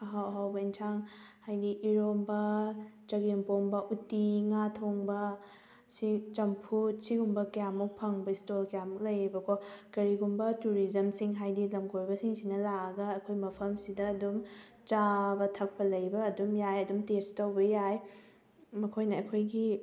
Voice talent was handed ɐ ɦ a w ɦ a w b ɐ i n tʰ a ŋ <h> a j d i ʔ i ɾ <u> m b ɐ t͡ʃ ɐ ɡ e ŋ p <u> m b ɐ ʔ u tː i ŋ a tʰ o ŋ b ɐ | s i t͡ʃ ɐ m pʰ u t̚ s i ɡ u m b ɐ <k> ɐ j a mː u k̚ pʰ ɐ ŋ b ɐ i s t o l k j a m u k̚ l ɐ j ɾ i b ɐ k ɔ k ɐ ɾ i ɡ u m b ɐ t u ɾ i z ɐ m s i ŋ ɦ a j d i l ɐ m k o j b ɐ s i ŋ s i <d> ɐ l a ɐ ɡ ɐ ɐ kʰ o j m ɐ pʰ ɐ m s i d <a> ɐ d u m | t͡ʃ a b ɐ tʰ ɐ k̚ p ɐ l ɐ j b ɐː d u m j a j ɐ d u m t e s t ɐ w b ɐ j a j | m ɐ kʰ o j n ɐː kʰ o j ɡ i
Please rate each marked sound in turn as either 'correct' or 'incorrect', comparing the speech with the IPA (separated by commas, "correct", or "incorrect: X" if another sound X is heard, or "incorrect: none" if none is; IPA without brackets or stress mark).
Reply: correct, incorrect: o, incorrect: o, correct, incorrect: n, incorrect: ɐ